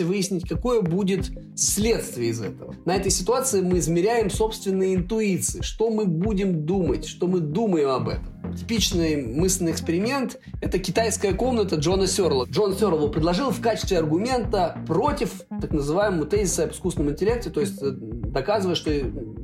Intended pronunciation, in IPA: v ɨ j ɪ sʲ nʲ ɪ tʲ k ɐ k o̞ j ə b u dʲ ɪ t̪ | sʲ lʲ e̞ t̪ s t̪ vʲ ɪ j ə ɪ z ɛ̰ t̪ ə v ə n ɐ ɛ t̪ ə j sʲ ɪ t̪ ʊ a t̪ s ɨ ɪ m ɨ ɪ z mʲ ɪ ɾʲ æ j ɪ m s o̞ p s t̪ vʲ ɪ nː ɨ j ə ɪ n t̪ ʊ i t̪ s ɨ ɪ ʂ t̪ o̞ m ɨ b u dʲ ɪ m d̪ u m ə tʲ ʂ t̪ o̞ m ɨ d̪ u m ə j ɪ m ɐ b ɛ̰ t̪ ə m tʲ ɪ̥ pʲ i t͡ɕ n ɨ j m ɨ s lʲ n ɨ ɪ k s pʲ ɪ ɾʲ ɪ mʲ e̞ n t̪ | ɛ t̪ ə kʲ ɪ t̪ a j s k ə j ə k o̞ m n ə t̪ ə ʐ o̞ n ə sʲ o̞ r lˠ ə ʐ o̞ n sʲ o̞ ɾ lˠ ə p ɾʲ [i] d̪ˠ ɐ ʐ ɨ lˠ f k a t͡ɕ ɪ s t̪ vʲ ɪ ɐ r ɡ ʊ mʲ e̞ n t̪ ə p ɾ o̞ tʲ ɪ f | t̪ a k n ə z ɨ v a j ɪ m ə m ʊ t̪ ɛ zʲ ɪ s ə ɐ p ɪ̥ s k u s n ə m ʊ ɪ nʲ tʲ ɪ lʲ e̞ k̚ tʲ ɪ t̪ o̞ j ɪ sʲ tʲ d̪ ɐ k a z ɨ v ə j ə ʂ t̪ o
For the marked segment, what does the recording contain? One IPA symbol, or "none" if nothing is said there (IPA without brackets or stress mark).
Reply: ɪ